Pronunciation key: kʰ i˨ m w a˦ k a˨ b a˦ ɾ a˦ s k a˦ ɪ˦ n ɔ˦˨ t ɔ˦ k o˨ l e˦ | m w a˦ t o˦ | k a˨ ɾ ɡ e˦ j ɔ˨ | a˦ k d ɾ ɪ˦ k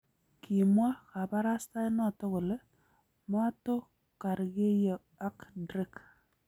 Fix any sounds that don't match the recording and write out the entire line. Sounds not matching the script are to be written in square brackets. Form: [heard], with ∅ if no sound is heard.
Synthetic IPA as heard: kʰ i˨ m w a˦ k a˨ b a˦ ɾ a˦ s [t] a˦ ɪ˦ n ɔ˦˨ t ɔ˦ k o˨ l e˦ | m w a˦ t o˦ | k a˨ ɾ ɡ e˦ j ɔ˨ | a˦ k d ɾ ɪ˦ k